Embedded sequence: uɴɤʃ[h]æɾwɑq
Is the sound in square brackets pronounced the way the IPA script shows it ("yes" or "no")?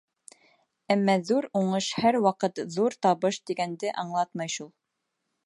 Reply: yes